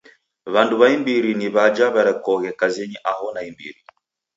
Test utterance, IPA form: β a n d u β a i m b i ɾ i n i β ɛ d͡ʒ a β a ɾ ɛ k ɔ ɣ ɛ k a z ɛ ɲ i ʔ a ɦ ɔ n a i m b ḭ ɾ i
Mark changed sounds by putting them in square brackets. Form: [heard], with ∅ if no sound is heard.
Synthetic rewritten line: β a n d u β a i m b i ɾ i n i β [a] d͡ʒ a β a ɾ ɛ k ɔ ɣ ɛ k a z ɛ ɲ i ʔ a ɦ ɔ n a i m b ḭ ɾ i